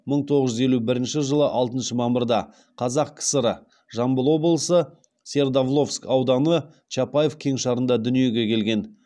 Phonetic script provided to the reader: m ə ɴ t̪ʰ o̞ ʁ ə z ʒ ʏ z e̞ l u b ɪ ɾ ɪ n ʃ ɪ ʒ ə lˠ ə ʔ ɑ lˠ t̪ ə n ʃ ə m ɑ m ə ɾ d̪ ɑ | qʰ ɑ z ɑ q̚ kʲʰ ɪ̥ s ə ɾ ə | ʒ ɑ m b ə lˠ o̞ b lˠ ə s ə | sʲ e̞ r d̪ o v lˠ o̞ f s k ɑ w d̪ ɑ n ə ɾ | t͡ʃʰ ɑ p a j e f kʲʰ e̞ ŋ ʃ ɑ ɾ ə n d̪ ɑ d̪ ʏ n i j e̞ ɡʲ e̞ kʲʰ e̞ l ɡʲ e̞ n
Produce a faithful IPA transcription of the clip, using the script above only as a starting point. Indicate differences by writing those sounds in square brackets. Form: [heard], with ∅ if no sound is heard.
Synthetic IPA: m ə ɴ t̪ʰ o̞ ʁ ə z ʒ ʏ z e̞ l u b ɪ ɾ ɪ n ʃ ɪ ʒ ə lˠ ə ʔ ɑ lˠ t̪ ə n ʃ ə m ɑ m ə ɾ d̪ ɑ | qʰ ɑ z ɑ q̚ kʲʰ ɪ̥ s ə ɾ ə | ʒ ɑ m b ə lˠ o̞ b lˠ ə s ə | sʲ e̞ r d̪ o v lˠ o̞ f s k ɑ w d̪ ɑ n ə [∅] | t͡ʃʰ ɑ p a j e f kʲʰ e̞ ŋ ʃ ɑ ɾ ə n d̪ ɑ d̪ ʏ n i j e̞ ɡʲ e̞ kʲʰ e̞ l ɡʲ e̞ n